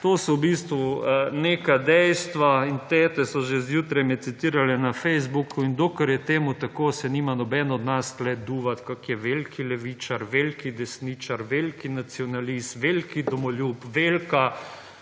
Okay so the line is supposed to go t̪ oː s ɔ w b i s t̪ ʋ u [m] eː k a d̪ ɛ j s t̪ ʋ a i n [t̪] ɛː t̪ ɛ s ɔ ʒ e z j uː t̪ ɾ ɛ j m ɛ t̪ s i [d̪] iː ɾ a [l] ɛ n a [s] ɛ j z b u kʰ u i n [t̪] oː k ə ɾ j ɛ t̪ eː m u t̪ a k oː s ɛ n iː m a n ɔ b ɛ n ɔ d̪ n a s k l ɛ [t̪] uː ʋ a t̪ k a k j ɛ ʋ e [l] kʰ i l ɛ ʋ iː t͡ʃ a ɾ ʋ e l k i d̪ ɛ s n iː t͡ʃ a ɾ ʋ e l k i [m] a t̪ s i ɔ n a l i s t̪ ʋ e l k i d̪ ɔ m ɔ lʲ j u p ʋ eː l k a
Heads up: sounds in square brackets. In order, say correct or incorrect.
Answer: incorrect: n, correct, incorrect: t̪, correct, incorrect: f, incorrect: d̪, incorrect: d̪, correct, incorrect: n

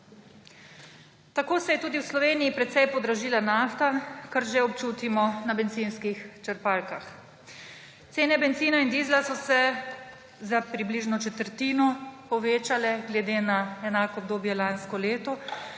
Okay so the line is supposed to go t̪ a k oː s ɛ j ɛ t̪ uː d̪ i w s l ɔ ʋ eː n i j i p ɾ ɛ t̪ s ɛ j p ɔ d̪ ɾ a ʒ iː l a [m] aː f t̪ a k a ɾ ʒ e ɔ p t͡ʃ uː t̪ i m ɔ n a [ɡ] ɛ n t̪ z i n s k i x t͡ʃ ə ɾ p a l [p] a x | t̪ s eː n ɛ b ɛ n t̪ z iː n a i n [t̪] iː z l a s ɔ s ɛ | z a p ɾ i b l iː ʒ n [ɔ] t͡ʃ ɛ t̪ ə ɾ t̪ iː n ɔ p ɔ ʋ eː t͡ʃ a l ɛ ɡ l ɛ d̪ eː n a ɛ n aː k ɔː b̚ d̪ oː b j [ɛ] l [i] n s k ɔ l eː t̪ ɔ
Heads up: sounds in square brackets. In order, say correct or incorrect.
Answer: incorrect: n, incorrect: b, incorrect: k, incorrect: d̪, correct, correct, incorrect: a

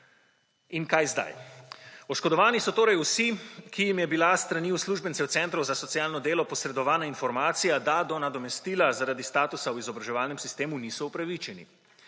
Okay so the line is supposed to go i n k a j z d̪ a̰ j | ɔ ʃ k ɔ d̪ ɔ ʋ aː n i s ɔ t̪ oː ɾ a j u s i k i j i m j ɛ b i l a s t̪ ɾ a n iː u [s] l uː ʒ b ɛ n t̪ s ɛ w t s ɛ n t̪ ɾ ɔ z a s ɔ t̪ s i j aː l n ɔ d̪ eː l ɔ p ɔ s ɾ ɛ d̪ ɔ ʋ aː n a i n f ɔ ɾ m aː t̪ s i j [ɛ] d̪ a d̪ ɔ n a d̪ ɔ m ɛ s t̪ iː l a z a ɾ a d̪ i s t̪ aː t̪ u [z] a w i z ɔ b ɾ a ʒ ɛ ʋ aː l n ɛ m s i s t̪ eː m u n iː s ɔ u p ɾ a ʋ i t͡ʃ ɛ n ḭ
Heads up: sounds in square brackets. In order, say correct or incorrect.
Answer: correct, incorrect: a, incorrect: s

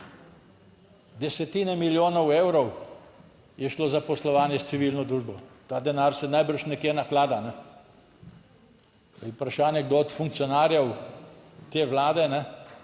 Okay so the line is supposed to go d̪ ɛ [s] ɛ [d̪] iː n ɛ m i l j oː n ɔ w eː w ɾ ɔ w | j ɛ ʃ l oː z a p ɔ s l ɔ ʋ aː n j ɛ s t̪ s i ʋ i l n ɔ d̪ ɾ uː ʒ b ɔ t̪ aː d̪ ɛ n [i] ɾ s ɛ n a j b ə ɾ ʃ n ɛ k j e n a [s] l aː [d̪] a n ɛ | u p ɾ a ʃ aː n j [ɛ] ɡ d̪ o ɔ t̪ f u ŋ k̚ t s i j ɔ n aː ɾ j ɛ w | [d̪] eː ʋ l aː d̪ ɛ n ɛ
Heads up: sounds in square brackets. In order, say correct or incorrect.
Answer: correct, incorrect: t̪, incorrect: a, incorrect: x, correct, correct, incorrect: t̪

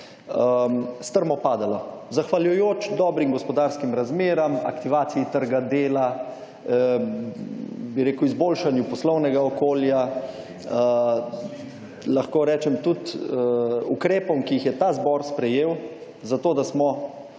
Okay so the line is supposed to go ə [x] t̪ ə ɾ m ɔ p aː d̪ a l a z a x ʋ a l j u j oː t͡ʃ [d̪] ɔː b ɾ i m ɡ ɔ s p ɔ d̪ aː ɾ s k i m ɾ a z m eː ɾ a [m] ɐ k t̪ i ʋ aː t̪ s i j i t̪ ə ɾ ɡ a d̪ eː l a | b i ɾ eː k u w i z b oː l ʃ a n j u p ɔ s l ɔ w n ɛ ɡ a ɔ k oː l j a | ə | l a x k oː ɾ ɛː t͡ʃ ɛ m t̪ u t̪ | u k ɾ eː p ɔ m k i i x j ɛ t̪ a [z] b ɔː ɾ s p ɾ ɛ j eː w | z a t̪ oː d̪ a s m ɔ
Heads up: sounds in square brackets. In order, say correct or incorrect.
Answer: incorrect: s, correct, correct, correct

